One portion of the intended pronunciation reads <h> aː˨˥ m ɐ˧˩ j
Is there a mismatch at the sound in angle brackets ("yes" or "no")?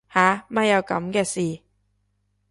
no